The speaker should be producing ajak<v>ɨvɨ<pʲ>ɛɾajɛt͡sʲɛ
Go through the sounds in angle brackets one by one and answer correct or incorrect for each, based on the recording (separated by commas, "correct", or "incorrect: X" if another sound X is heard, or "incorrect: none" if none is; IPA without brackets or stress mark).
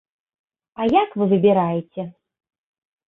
correct, incorrect: bʲ